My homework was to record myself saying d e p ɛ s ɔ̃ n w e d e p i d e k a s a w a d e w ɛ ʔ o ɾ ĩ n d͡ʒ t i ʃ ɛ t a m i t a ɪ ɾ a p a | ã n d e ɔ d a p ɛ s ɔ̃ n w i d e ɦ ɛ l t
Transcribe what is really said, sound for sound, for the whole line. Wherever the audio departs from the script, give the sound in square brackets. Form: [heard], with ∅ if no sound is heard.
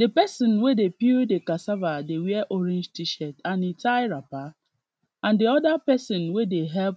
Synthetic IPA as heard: d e p ɛ s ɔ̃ n w e d e p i d e k a s a [v] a d e w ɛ ʔ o ɾ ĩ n d͡ʒ t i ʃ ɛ t a [n] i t a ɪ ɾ a p a | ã n d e ɔ d a p ɛ s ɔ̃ n w [e] d e ɦ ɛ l [p]